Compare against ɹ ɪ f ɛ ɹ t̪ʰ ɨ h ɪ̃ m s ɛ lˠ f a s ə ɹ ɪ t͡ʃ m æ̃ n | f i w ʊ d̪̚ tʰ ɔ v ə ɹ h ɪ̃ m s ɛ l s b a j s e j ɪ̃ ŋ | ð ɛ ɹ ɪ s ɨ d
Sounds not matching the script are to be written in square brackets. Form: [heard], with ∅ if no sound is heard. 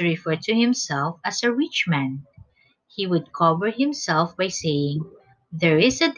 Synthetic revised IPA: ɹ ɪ f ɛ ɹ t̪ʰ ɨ h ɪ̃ m s ɛ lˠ f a s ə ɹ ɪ t͡ʃ m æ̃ n | [h] i w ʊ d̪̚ [kʰ] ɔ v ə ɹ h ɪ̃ m s ɛ l [f] b a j s e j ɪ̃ ŋ | ð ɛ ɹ ɪ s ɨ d